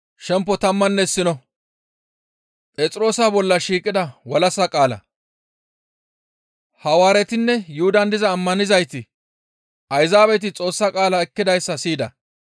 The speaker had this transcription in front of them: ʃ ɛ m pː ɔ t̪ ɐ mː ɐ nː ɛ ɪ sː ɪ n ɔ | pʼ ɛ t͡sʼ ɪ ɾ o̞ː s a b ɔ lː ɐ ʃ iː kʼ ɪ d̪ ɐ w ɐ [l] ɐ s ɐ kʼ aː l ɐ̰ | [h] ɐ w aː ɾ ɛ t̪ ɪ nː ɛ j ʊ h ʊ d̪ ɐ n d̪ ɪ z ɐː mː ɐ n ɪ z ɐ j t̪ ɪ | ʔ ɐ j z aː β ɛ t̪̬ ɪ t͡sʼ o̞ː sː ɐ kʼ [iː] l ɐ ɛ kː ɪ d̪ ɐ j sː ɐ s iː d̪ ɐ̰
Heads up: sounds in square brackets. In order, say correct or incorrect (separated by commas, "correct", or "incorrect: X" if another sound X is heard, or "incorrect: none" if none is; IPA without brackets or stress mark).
correct, correct, incorrect: aː